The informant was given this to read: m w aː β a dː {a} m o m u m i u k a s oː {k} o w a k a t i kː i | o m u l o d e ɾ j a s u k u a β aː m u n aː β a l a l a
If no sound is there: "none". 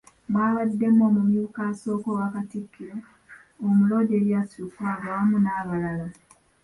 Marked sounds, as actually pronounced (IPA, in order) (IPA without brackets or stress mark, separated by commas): e, k